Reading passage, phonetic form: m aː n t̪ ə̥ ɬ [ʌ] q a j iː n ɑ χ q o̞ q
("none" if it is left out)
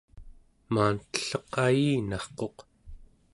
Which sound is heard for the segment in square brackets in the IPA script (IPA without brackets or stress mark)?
ʌ